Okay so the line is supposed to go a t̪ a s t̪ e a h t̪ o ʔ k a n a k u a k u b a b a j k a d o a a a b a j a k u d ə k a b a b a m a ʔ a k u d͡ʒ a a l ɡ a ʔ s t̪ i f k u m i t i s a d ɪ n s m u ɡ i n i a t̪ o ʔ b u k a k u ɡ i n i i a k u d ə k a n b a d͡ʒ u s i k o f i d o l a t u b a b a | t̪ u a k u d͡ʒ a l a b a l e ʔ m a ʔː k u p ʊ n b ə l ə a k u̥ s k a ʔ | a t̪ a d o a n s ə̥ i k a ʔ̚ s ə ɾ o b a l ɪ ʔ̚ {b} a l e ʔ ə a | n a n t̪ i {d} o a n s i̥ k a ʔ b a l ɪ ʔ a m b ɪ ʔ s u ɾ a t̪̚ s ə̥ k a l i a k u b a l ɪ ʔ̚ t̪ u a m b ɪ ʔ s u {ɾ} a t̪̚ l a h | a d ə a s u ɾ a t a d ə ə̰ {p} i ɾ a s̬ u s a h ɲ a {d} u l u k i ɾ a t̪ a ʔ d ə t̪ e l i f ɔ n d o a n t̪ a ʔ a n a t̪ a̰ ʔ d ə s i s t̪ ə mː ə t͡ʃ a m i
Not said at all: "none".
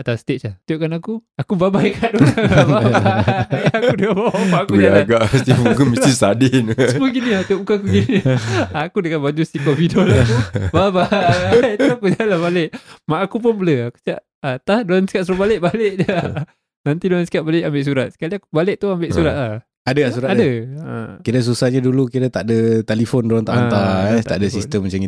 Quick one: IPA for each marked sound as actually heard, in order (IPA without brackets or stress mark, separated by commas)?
b, d, ɾ, k, d